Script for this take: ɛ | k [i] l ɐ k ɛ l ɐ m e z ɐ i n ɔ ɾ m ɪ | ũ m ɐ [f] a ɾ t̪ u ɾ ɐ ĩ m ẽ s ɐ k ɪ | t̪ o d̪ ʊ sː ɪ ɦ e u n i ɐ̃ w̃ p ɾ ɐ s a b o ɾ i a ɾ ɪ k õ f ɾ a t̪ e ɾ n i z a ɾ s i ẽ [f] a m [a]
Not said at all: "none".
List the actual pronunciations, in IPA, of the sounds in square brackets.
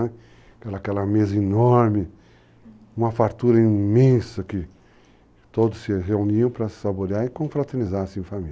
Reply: ɛ, f, f, i

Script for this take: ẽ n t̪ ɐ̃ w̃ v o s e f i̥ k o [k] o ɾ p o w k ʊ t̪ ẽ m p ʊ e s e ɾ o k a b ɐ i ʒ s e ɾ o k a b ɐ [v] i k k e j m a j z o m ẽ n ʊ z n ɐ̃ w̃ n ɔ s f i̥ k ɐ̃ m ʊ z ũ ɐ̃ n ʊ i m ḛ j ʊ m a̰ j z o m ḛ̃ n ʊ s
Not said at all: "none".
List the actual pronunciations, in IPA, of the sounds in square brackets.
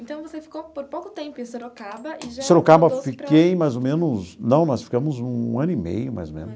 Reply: p, f

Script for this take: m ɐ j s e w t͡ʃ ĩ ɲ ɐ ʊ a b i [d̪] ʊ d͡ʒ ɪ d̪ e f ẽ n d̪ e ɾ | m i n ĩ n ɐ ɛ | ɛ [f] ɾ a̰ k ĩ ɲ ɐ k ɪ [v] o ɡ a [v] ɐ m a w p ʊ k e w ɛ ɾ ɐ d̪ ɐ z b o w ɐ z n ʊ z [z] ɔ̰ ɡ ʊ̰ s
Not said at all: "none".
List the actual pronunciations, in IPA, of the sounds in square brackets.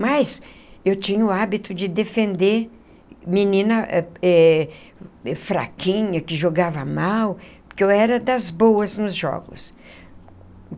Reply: t̪, f, ʒ, v, ʒ

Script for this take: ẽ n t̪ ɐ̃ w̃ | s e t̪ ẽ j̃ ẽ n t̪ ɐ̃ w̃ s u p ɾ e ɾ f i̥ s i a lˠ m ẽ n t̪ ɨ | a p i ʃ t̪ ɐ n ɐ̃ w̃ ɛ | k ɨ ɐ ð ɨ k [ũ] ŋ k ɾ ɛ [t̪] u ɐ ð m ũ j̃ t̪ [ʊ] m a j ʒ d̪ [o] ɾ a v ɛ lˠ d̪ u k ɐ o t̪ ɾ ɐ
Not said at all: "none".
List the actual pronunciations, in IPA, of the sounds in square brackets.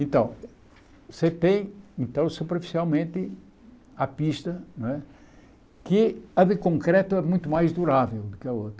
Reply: õ, t̪, u, u

